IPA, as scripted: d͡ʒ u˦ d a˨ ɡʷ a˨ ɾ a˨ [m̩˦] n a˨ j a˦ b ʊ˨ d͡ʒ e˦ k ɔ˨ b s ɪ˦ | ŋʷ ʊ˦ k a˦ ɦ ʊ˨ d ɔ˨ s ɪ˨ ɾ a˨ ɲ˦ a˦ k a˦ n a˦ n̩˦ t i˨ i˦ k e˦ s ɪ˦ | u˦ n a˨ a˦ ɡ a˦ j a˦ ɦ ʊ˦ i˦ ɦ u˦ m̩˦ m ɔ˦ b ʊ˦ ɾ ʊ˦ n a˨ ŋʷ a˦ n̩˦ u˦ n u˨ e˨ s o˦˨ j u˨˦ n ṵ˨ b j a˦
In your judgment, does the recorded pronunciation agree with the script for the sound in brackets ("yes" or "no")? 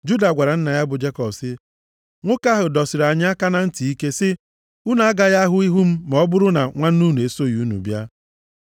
no